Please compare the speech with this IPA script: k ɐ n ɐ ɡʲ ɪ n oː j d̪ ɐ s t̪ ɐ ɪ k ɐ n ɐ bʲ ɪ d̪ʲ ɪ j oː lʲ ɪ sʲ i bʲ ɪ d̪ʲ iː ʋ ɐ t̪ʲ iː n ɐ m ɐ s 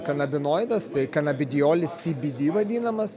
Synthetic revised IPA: k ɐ n ɐ bʲ ɪ n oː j d̪ ɐ s t̪ ɐ ɪ k ɐ n ɐ bʲ ɪ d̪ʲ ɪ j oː lʲ ɪ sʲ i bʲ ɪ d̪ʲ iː ʋ ɐ d̪ʲ iː n ɐ m ɐ s